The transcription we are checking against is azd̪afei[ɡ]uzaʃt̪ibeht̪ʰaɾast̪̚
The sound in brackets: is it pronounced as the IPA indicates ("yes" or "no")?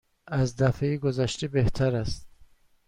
yes